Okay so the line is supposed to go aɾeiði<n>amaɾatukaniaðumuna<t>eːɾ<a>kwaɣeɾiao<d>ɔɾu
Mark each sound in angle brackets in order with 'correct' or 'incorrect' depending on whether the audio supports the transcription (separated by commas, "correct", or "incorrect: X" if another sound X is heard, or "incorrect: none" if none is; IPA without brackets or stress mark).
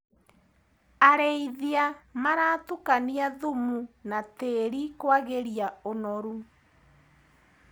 incorrect: none, correct, incorrect: i, incorrect: n